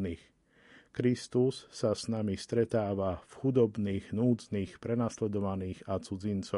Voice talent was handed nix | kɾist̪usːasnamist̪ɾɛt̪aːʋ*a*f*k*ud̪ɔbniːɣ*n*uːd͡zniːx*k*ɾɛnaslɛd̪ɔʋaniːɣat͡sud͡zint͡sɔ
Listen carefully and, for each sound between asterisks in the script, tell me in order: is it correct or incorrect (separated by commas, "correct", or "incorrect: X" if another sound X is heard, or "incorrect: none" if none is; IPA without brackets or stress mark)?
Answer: correct, incorrect: x, correct, incorrect: p